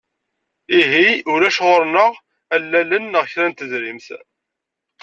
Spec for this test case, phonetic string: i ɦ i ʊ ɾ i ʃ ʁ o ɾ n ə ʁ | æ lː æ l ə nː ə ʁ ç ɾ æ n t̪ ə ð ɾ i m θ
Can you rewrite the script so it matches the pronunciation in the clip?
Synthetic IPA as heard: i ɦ i ʊ ɾ æ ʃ ʁ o ɾ n ə ʁ | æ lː æ l ə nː ə ʁ ç ɾ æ n t̪ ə z ɾ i m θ